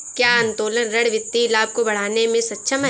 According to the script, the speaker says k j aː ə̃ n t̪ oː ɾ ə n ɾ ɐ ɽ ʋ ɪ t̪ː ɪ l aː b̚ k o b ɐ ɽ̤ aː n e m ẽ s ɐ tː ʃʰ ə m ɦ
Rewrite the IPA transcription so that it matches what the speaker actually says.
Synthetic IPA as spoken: k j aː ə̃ n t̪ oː l ə n ɾ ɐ ɽ ʋ ɪ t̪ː i l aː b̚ k o b ɐ ɽ̤ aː n e m ẽ s ɐ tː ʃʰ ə m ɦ